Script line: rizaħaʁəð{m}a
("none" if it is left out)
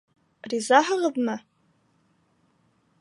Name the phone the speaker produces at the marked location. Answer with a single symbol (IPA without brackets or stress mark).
m